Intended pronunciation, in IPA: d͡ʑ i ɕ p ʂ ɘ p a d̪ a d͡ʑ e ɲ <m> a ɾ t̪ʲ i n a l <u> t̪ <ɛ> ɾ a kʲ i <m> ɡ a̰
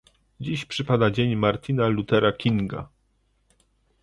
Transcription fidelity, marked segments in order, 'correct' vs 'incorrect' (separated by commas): correct, correct, correct, incorrect